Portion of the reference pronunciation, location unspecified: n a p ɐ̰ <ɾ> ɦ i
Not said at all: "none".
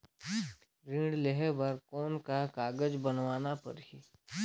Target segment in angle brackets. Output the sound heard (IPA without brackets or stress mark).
ɾ